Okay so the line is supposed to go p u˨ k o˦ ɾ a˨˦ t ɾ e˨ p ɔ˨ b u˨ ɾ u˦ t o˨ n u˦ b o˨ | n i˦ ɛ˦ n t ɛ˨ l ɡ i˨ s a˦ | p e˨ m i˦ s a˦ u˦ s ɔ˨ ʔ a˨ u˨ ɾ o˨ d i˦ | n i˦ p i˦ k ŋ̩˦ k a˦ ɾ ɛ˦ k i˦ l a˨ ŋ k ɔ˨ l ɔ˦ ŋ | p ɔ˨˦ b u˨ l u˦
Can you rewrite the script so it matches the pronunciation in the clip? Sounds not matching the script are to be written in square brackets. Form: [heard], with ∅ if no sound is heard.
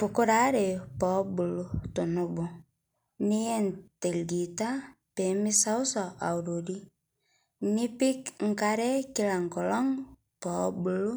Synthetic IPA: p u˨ k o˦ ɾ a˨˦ [∅] ɾ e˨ p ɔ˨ b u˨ [l] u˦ t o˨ n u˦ b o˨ | n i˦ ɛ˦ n t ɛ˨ l ɡ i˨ [t] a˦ | p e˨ m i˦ s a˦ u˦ s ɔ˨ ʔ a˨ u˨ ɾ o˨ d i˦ | n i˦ p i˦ k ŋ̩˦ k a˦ ɾ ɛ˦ k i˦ l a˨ ŋ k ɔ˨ l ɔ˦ ŋ | p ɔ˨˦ b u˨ l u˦

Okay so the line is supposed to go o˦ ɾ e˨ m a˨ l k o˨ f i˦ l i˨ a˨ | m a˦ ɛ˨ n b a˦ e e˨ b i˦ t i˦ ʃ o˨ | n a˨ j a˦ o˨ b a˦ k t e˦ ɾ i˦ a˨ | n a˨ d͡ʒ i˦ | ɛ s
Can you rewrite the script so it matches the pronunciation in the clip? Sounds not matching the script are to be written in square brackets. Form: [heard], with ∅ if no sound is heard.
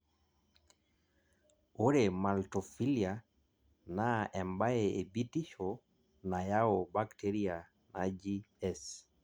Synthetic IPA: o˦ ɾ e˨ m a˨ l [t] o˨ f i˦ l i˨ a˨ | [n] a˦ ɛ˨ [m] b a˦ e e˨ b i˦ t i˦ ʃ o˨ | n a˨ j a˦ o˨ b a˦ k t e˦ ɾ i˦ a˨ | n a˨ d͡ʒ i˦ | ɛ s

